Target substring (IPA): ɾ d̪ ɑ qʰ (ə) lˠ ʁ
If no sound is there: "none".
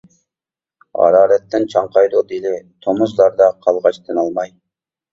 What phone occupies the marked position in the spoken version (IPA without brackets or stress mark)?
ɑ